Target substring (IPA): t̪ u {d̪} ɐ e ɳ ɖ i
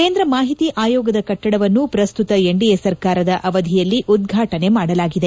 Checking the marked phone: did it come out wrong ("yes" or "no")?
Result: yes